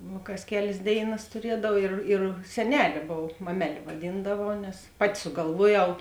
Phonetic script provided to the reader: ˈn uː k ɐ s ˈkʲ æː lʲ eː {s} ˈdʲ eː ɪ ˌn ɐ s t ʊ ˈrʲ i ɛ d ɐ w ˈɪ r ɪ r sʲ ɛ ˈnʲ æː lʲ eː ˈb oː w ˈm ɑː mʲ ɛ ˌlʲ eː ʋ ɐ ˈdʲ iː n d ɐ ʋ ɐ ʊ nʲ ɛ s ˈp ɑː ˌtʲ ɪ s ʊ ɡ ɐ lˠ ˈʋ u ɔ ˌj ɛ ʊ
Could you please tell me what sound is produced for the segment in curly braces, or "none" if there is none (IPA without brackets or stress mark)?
s